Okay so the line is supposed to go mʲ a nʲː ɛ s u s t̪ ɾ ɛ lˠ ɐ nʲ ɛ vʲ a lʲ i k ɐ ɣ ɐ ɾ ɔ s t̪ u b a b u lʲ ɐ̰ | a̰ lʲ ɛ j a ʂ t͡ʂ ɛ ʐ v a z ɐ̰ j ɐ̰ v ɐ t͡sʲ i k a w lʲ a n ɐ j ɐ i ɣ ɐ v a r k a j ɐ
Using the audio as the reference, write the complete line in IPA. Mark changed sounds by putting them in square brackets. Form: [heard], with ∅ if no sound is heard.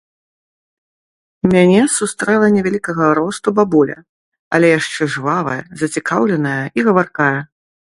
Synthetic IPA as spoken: mʲ a [nʲ] ɛ s u s t̪ ɾ ɛ lˠ ɐ nʲ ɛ vʲ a lʲ i k ɐ ɣ ɐ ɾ ɔ s t̪ u b a b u lʲ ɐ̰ | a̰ lʲ ɛ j a ʂ t͡ʂ ɛ ʐ v a [v] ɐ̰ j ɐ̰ [z] ɐ t͡sʲ i k a w lʲ [ɛ] n ɐ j ɐ i ɣ ɐ v a r k a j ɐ